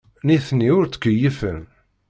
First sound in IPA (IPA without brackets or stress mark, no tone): n